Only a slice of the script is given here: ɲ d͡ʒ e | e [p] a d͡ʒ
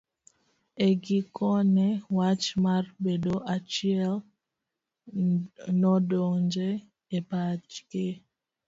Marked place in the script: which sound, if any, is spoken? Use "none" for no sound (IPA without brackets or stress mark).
p